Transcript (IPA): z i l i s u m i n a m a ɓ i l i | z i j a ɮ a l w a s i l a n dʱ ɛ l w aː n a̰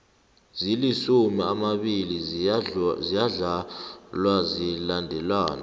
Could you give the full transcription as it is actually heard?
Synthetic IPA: z i l i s u m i a m a ɓ i l i | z i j a ɮ a l w a z i l a n dʱ ɛ l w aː n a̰